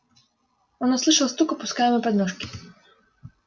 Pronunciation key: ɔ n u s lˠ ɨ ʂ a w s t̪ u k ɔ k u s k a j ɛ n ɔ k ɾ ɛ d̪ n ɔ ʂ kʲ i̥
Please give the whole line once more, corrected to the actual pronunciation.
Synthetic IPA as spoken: ɔ n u s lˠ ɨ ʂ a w s t̪ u k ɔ p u s k a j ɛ m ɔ p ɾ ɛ d̪ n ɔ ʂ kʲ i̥